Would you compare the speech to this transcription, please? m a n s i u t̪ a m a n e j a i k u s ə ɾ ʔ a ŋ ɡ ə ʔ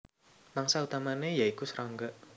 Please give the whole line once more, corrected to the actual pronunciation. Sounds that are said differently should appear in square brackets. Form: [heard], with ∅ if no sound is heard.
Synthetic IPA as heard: m a [ŋ] s [a] u t̪ a m a n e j a i k u s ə ɾ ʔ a ŋ ɡ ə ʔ